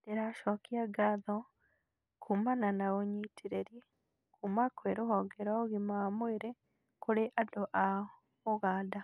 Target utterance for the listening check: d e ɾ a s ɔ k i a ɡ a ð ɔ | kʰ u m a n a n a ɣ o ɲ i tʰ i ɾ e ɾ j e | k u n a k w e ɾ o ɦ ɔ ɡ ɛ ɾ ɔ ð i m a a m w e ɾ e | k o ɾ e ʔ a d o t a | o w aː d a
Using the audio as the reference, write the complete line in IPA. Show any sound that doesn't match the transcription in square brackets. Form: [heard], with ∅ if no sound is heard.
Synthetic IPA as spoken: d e ɾ a [ʃ] ɔ k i a ɡ a ð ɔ | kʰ u m a n a n a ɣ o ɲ i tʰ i ɾ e ɾ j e | k u [m] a k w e ɾ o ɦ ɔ ɡ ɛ ɾ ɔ [ɣ] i m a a m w e ɾ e | k o ɾ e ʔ a d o [ʔ] a | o [ɣ] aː d a